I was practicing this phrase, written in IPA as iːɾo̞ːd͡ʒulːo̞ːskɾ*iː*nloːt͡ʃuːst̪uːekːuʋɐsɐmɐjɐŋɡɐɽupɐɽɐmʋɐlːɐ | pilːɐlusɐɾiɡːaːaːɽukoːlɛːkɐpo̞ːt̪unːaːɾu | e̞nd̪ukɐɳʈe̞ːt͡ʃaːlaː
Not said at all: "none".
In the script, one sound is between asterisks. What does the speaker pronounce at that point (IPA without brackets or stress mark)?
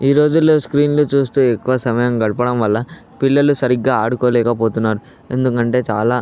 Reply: iː